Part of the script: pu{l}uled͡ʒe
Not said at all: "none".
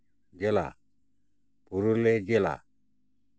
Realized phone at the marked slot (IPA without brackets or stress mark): ɾ